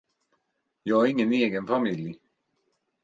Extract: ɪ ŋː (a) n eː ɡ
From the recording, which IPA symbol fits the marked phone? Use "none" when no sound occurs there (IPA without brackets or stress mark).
ə